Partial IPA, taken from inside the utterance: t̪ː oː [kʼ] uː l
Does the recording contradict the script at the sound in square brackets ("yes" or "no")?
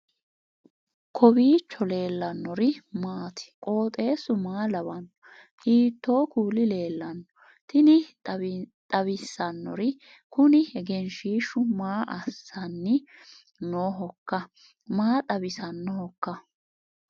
yes